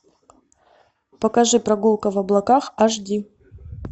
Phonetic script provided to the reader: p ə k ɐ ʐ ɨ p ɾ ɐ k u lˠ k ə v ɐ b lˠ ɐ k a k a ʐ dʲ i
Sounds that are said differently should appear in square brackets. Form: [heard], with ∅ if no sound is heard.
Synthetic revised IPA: p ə k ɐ ʐ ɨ p ɾ ɐ [ɡ] u lˠ k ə v ɐ b lˠ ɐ k a [x] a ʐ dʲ i